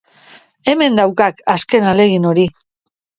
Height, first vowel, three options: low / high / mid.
mid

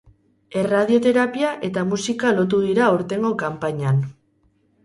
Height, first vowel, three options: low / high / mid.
mid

